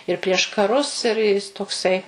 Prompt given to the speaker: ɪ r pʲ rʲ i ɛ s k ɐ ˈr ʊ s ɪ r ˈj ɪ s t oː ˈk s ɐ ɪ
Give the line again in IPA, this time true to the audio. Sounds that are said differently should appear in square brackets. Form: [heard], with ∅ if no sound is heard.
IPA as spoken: ɪ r pʲ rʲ i ɛ [ʃ] k ɐ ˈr ʊ s ɪ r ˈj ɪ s t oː ˈk s ɐ ɪ